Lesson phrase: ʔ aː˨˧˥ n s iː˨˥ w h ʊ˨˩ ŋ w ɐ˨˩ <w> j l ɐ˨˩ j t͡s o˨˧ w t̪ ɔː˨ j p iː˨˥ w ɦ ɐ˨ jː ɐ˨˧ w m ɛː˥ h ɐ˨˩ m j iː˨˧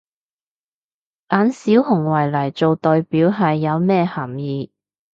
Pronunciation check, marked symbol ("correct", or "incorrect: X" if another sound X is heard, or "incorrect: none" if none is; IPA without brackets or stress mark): incorrect: none